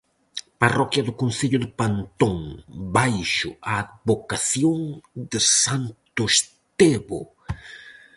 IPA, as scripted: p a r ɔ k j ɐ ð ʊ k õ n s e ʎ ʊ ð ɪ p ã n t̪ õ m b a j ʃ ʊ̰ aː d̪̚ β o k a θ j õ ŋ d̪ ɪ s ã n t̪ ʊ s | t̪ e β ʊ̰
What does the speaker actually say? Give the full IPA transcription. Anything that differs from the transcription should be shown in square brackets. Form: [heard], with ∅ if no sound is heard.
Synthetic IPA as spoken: p a r ɔ k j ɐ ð ʊ k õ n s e ʎ ʊ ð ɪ p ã n t̪ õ [ŋ] b a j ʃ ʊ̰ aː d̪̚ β o k a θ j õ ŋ d̪ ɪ s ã n t̪ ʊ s | t̪ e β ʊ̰